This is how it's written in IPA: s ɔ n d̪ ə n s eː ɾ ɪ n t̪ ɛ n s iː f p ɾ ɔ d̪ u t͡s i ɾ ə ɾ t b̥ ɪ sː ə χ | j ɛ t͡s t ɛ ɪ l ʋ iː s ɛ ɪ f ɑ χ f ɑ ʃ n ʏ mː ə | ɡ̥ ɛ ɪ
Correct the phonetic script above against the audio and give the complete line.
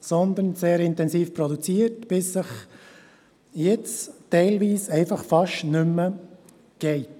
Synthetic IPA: s ɔ n d̪ ə n s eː ɾ ɪ n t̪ ɛ n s iː f p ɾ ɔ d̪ u t͡s i ə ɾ t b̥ ɪ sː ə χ | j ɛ t͡s t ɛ ɪ l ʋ iː s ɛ ɪ f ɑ χ f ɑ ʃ n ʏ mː ə | ɡ̥ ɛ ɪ